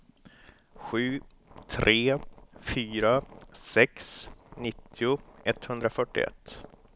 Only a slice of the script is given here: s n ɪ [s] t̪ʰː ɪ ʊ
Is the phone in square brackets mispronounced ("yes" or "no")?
yes